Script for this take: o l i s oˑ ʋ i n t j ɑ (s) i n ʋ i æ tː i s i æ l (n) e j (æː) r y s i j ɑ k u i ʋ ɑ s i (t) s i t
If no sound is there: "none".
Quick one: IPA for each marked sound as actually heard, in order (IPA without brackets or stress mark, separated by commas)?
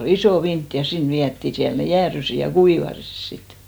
s, n, æː, s